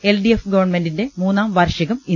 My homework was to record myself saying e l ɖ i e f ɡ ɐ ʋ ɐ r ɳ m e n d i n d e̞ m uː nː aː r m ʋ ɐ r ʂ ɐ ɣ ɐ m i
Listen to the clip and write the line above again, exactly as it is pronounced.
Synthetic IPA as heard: e l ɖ i e f ɡ ɐ ʋ ɐ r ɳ m e n d i n d e̞ m uː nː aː m ʋ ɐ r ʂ ɐ ɣ ɐ m i

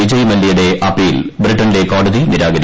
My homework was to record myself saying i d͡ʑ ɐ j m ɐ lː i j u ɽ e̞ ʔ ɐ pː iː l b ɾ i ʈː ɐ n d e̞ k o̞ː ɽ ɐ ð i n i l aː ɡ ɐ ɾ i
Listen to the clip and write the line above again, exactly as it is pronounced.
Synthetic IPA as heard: i d͡ʑ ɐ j m ɐ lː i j u ɽ e̞ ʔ ɐ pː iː l b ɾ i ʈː ɐ n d e̞ k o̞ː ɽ ɐ ð i n i ɾ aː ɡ ɐ ɾ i

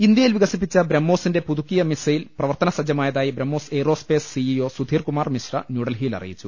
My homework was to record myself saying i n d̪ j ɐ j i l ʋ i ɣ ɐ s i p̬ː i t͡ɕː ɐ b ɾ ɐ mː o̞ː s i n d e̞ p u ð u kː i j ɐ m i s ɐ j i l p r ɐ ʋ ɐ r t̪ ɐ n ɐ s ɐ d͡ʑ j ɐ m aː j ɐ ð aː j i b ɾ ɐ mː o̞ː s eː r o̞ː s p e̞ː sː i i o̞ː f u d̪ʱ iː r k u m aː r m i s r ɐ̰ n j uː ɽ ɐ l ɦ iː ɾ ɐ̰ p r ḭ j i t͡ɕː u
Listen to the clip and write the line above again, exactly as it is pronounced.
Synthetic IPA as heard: i n d̪ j ɐ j i l ʋ i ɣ ɐ s i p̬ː i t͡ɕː ɐ b ɾ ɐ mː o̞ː s i n d e̞ p u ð u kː i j ɐ m i s ɐ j i l p r ɐ ʋ ɐ r t̪ ɐ n ɐ s ɐ d͡ʑ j ɐ m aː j ɐ ð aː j i b ɾ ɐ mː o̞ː s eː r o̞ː s p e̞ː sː i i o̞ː s u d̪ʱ iː r k u m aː r m i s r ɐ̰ n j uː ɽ ɐ l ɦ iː l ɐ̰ r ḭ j i t͡ɕː u

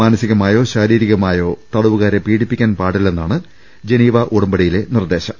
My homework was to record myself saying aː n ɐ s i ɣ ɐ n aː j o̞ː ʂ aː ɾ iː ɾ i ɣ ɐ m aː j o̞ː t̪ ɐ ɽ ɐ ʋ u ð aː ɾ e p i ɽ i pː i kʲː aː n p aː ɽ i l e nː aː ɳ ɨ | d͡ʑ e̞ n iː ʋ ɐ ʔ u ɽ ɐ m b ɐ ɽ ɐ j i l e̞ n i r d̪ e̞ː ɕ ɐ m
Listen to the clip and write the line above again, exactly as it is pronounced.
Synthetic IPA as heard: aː n ɐ s i ɣ ɐ m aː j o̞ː ɕ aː ɾ iː ɾ i ɣ ɐ m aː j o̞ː t̪ ɐ ɽ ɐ ʋ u ɣ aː ɾ e p iː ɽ i pː i kʲː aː n p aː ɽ i l e nː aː ɳ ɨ | d͡ʑ e̞ n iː ʋ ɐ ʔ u ɽ ɐ m b ɐ ɽ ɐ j i l e̞ n i r d̪ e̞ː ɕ ɐ m

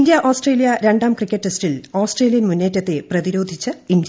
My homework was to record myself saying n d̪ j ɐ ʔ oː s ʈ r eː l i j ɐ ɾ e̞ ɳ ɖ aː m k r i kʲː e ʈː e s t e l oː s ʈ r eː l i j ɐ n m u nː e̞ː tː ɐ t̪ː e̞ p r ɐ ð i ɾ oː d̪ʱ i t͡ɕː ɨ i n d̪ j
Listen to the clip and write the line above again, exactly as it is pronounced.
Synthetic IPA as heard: n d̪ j ɐ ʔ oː s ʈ r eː l i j ɐ ɾ e̞ ɳ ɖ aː m k r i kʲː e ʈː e s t i l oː s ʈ r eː l i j ɐ n m u nː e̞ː tː ɐ t̪ː e̞ p r ɐ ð i ɾ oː d̪ʱ i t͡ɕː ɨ i n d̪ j

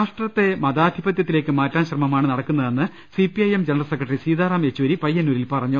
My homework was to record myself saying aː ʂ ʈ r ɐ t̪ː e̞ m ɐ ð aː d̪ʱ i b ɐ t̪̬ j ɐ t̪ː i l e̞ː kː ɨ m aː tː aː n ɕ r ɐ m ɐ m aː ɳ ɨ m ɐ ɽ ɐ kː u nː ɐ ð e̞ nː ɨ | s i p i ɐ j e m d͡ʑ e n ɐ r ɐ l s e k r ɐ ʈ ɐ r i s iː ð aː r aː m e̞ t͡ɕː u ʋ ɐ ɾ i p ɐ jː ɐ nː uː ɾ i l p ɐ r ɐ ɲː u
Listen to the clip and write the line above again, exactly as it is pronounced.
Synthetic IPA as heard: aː ʂ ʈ r ɐ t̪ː e̞ m ɐ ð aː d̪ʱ i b ɐ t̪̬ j ɐ t̪ː i l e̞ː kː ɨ m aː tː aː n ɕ r ɐ m ɐ m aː ɳ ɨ n ɐ ɽ ɐ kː u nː ɐ ð e̞ nː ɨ | s i p i ɐ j e m d͡ʑ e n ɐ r ɐ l s e k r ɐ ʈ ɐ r i s iː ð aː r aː m e̞ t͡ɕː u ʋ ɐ ɾ i p ɐ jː ɐ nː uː ɾ i l p ɐ r ɐ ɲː u

